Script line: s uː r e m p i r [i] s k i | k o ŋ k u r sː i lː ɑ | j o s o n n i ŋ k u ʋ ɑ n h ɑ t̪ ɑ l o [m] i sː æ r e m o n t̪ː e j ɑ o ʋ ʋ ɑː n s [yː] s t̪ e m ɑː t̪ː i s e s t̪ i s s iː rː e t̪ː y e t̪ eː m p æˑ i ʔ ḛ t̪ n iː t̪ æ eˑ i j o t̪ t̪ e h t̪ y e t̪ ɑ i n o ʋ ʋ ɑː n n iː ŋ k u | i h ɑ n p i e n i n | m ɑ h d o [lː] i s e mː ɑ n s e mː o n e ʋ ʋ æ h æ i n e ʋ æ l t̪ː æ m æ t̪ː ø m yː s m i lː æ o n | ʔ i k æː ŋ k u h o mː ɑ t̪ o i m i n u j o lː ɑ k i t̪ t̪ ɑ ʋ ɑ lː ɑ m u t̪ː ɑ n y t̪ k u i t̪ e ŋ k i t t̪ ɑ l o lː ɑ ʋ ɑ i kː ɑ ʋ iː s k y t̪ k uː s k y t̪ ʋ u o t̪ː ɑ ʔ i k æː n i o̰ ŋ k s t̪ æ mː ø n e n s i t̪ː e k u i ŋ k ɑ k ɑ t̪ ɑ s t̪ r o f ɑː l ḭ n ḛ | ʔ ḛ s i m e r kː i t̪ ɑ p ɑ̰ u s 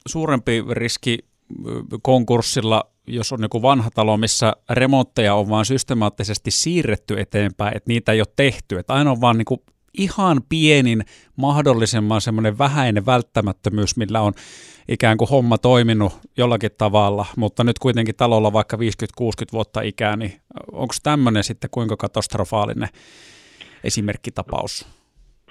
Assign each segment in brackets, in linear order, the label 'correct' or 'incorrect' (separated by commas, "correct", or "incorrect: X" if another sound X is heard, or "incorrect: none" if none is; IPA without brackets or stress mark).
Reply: correct, correct, incorrect: y, correct